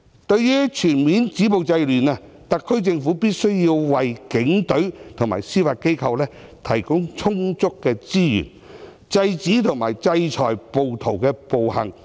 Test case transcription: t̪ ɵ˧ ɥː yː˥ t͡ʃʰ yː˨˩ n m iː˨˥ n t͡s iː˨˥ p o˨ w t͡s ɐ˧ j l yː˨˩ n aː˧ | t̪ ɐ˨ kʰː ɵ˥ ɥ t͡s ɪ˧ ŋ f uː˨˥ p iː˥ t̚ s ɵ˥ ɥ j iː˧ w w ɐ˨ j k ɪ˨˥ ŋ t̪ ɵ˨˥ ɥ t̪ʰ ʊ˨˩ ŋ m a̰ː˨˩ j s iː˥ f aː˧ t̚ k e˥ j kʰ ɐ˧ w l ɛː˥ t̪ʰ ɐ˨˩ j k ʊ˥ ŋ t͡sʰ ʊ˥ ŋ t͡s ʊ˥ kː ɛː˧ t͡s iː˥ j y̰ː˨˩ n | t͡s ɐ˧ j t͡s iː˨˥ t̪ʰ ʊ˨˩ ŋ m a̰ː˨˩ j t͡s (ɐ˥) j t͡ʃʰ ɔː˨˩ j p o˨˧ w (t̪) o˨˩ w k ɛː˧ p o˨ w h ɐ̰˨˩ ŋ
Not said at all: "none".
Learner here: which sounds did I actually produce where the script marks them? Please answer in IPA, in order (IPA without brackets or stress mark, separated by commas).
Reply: ɐ˧, t̪ʰ